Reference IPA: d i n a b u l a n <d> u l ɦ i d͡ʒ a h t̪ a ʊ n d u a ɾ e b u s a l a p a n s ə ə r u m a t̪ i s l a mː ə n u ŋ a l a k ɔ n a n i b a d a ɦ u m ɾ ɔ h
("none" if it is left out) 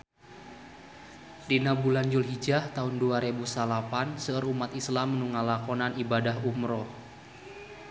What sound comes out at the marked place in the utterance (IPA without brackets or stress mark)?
d͡ʒ